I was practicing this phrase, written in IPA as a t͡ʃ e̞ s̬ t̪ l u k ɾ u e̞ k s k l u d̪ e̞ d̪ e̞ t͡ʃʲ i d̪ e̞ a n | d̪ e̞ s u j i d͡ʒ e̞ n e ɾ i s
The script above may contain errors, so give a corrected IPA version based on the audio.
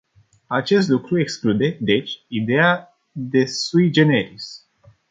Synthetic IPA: a t͡ʃ e̞ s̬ t̪ l u k ɾ u e̞ k s k l u d̪ e̞ d̪ e̞ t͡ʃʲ i d̪ e̞ a | d̪ e̞ s u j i d͡ʒ e̞ n e ɾ i s